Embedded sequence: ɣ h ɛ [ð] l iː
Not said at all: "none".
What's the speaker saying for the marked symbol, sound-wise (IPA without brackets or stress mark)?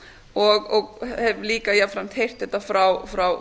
v